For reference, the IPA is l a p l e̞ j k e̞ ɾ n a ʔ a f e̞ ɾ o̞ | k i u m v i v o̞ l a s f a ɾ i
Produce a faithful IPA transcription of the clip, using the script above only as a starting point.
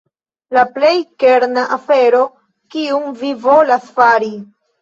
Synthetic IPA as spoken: l a p l e̞ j k e̞ ɾ n a ʔ a f e̞ ɾ o̞ | k i u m v i v o̞ l a s f a ɾ i